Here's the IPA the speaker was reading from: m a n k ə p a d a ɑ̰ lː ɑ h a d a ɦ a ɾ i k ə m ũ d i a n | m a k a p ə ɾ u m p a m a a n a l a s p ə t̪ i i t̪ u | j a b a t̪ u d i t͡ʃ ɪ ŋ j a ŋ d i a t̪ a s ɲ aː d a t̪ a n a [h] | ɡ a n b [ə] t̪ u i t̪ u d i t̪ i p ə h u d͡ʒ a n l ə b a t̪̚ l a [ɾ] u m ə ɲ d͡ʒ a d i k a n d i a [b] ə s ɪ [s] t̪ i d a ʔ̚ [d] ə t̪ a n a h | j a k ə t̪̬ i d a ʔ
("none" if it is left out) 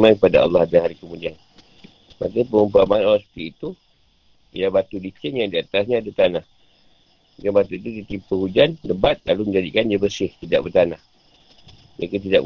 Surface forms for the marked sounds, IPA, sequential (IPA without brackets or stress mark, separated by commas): h, a, l, b, h, b